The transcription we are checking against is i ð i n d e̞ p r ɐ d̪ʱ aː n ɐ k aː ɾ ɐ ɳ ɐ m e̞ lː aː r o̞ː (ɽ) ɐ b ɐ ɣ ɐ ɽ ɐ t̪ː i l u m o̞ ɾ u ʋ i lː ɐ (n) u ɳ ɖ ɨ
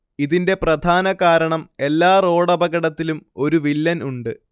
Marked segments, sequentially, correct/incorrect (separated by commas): correct, correct